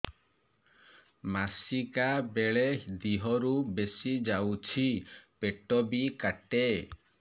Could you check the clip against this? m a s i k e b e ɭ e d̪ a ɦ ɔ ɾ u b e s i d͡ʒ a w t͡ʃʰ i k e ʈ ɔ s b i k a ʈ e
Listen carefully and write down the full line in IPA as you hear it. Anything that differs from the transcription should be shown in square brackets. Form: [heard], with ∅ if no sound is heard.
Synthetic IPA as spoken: m a s i k [a] b e ɭ e d̪ [i] ɦ ɔ ɾ u b e s i d͡ʒ a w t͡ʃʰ i [p] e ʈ ɔ [∅] b i k a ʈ e